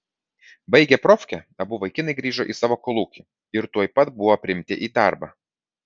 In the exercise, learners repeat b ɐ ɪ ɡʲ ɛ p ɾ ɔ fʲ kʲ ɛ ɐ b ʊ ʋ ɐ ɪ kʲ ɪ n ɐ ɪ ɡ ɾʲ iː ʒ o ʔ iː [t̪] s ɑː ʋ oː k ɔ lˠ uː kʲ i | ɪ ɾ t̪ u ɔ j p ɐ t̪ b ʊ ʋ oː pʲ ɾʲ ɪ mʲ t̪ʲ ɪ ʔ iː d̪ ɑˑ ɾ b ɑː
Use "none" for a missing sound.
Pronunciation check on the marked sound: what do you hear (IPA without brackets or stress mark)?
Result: none